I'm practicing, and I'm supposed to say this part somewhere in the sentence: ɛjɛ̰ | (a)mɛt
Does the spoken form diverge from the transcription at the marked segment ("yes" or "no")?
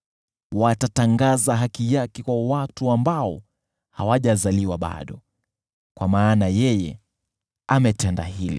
no